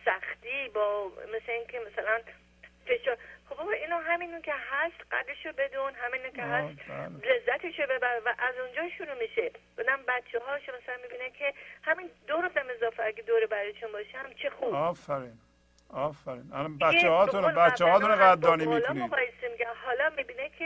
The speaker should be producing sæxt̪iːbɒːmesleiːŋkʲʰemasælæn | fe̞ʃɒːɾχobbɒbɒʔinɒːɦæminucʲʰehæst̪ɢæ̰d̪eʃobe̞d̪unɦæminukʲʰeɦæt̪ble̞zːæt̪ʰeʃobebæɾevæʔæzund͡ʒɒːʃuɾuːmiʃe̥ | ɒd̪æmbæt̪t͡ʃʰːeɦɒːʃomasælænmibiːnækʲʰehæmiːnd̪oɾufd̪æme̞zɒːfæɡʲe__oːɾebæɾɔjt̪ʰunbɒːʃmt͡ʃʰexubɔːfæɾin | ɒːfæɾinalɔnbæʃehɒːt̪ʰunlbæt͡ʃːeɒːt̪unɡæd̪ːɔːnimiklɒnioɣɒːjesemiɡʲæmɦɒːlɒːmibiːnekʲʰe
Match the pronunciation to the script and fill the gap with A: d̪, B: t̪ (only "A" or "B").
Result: A